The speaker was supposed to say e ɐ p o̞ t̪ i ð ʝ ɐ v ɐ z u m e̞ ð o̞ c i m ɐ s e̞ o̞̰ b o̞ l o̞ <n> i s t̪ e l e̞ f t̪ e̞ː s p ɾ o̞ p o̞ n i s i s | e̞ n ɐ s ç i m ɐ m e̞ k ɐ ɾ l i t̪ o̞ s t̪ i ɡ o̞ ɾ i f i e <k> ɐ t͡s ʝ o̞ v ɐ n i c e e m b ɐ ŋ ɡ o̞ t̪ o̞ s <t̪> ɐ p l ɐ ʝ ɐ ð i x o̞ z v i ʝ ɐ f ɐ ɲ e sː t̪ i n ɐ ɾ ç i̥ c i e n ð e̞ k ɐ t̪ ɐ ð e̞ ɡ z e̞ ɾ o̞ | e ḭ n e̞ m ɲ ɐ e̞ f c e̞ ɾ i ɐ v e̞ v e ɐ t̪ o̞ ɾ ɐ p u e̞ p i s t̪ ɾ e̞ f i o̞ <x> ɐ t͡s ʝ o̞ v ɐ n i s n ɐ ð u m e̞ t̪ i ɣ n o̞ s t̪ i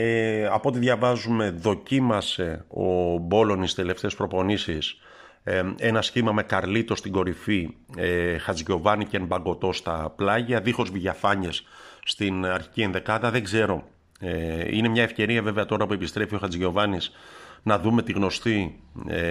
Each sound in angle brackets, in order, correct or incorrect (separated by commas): correct, incorrect, correct, correct